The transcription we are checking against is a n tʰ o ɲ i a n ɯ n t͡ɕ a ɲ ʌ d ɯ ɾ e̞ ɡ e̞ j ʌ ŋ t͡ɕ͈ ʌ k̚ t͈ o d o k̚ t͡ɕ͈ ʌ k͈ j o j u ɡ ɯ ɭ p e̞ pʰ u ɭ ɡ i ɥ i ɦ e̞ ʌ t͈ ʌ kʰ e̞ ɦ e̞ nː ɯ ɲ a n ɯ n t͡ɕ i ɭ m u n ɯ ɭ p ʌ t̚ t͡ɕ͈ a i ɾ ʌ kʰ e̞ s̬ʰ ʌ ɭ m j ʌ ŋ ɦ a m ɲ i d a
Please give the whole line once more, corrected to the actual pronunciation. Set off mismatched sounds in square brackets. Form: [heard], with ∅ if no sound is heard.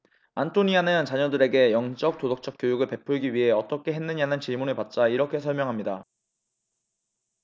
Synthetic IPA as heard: a n tʰ o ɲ i a n ɯ n t͡ɕ a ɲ ʌ d ɯ ɾ e̞ ɡ e̞ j ʌ ŋ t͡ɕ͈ ʌ k̚ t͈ o d o k̚ t͡ɕ͈ ʌ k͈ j o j u ɡ ɯ ɭ p e̞ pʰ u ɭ ɡ i ɥ i ɦ e̞ ʌ t͈ ʌ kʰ e̞ ɦ e̞ nː ɯ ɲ a n ɯ n t͡ɕ i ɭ m u n ɯ ɭ p [a] t̚ t͡ɕ͈ a i ɾ ʌ kʰ e̞ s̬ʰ ʌ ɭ m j ʌ ŋ ɦ a m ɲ i d a